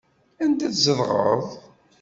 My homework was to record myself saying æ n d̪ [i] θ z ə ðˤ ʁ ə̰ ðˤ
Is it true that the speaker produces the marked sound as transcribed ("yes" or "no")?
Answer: no